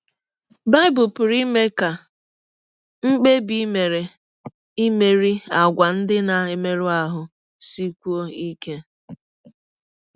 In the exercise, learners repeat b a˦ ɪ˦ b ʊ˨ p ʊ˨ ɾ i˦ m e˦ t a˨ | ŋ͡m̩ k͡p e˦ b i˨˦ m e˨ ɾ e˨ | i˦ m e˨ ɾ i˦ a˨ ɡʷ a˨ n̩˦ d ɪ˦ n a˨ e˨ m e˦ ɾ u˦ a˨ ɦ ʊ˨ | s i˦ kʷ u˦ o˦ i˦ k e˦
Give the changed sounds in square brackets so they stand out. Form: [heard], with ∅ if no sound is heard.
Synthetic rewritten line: b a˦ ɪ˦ b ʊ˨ p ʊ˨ ɾ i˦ m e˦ [k] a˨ | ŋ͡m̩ k͡p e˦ b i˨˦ m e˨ ɾ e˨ | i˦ m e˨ ɾ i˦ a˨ ɡʷ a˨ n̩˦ d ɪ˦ n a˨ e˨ m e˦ ɾ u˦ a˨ ɦ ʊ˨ | s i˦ kʷ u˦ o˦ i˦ k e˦

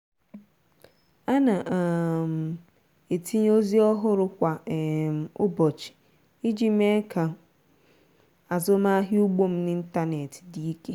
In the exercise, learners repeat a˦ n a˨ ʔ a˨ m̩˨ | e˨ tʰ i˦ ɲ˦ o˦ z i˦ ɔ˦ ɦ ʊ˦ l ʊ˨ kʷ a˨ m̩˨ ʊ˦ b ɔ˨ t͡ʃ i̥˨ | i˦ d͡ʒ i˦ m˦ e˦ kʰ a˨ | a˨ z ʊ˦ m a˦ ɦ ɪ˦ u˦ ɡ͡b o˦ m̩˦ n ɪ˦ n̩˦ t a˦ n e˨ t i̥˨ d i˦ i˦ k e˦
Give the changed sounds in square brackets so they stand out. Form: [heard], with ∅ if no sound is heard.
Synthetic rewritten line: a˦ n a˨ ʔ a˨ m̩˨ | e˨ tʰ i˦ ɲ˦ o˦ z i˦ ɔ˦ ɦ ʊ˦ [ɾ] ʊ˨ kʷ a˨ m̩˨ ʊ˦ b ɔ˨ t͡ʃ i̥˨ | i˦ d͡ʒ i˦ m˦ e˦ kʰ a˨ | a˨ z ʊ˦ m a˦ ɦ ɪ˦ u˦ ɡ͡b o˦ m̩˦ n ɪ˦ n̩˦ t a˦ n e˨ t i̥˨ d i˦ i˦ k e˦

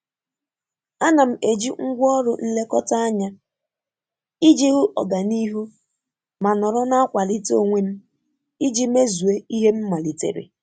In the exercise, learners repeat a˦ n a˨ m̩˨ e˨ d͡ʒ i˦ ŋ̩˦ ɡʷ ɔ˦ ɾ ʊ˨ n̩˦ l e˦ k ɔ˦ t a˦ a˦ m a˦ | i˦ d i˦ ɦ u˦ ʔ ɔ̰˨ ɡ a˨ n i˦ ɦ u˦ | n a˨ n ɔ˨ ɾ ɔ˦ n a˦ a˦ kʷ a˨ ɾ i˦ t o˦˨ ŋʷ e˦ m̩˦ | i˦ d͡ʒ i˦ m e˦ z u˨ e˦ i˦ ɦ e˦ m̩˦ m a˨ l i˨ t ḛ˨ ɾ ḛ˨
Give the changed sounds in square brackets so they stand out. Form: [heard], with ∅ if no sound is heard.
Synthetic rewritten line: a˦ n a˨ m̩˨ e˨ d͡ʒ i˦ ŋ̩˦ ɡʷ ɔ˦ ɾ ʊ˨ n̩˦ l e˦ k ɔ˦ t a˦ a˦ [ɲ] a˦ | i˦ [d͡ʒ] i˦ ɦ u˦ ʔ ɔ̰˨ ɡ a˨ n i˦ ɦ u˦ | [m] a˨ n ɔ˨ ɾ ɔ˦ n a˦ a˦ kʷ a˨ [l] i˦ t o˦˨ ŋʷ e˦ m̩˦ | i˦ d͡ʒ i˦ m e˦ z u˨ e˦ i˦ ɦ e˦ m̩˦ m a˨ l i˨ t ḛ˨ ɾ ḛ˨

